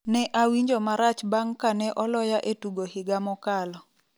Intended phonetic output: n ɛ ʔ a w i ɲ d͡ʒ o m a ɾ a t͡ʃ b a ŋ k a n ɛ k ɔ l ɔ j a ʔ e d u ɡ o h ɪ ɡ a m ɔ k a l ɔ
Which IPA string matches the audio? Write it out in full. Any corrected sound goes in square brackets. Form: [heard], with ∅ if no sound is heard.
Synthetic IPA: n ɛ ʔ a w i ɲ d͡ʒ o m a ɾ a t͡ʃ b a ŋ k a n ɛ [ʔ] ɔ l ɔ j a ʔ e [t] u ɡ o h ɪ ɡ a m ɔ k a l ɔ